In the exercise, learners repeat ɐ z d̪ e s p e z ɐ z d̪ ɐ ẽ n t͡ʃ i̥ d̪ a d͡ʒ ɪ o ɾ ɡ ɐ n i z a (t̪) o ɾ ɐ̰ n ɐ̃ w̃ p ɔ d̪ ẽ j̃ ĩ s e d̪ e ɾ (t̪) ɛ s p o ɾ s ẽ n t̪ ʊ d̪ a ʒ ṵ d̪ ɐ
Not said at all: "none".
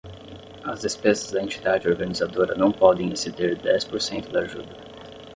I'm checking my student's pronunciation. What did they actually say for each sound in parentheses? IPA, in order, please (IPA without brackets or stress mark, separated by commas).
d̪, d̪